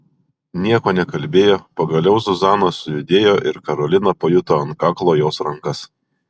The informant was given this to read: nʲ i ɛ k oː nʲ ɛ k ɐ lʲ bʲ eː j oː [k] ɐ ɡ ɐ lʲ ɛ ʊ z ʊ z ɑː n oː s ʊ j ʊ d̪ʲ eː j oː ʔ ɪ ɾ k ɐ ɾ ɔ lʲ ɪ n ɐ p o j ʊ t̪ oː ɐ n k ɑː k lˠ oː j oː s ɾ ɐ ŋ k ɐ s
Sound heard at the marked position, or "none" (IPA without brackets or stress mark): p